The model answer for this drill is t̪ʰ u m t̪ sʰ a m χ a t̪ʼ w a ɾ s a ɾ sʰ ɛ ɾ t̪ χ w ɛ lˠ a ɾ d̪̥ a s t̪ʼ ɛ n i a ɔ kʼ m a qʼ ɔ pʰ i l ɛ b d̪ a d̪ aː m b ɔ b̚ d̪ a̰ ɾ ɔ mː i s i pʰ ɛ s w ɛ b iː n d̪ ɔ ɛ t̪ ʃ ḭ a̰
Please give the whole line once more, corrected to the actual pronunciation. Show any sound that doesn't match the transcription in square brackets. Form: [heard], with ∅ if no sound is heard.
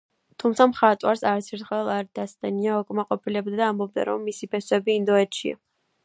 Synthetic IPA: t̪ʰ u m t̪ sʰ a m χ a t̪ʼ w a ɾ s a ɾ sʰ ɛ ɾ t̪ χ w ɛ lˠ a ɾ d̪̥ a s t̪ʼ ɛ n i a ɔ kʼ m a qʼ ɔ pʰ i l ɛ b d̪ a d̪ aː m b ɔ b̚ d̪ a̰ ɾ ɔ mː i s i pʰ ɛ s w ɛ b iː n d̪ ɔ ɛ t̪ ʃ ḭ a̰